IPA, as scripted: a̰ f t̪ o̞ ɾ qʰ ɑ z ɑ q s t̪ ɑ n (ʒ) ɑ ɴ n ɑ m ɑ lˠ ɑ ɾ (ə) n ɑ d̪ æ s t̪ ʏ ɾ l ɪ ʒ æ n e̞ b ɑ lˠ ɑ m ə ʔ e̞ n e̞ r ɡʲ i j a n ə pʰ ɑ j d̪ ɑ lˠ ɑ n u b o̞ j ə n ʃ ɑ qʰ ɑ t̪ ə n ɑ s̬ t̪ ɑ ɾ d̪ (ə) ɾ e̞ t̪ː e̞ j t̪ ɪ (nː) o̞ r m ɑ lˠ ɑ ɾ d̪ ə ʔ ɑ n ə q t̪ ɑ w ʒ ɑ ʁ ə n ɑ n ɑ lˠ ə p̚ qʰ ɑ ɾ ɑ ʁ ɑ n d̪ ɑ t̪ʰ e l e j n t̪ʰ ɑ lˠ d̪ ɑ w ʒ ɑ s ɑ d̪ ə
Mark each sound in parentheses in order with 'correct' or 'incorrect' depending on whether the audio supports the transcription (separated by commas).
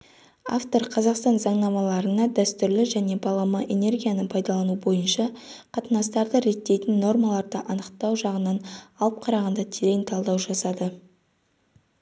incorrect, correct, correct, correct